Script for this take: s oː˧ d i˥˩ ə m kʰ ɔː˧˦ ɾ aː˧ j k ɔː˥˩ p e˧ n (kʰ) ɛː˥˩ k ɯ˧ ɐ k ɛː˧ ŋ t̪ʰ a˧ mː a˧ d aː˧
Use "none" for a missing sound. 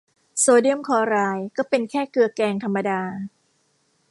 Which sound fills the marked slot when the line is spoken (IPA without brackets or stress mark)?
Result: kʰ